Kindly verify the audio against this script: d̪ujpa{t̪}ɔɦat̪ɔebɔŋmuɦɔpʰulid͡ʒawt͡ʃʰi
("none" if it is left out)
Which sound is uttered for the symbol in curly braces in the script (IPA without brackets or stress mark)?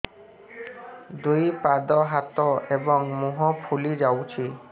d̪